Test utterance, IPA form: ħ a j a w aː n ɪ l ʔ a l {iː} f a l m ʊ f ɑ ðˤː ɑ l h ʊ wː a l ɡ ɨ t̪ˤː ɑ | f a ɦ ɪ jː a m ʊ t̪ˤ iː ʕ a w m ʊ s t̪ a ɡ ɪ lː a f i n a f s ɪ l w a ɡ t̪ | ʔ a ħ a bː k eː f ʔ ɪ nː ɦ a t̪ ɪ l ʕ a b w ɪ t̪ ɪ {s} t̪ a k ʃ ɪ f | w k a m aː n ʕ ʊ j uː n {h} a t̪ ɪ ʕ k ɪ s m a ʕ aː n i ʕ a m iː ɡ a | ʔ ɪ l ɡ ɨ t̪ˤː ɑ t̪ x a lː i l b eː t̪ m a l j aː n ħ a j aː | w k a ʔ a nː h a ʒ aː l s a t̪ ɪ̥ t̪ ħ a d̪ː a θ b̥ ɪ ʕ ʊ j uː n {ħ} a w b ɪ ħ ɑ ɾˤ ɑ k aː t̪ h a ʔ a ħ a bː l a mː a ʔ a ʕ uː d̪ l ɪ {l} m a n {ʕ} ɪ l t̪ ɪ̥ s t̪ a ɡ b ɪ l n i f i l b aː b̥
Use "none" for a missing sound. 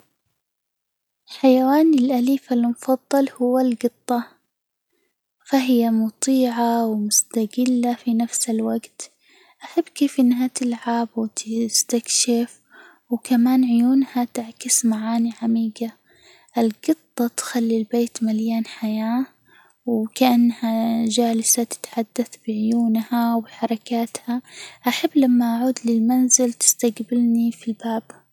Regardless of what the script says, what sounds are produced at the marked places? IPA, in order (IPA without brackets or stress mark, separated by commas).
iː, s, h, h, l, z